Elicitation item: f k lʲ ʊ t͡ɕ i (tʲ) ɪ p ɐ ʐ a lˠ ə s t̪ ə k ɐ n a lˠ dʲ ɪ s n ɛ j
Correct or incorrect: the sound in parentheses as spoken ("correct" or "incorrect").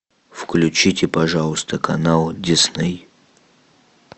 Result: correct